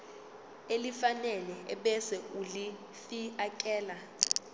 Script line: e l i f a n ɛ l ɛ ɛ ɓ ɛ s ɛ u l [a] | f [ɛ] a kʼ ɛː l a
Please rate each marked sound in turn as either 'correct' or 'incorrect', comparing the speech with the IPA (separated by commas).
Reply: incorrect, incorrect